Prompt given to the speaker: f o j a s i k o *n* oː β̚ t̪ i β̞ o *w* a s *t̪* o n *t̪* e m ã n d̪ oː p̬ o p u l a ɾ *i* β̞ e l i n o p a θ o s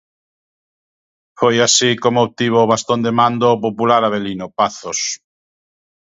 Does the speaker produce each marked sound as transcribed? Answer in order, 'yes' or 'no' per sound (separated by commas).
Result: no, no, yes, no, no